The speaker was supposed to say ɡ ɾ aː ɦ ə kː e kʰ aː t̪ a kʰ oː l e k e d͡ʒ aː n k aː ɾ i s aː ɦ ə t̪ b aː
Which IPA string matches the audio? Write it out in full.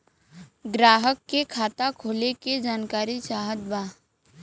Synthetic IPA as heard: ɡ ɾ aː ɦ ə kː e kʰ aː t̪ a kʰ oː l e k e d͡ʒ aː n k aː ɾ i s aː ɦ ə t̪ b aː